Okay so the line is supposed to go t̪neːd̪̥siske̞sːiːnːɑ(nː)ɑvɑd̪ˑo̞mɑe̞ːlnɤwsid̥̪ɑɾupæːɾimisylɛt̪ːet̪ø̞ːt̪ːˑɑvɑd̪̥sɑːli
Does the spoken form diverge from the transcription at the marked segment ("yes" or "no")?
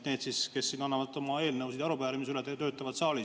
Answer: no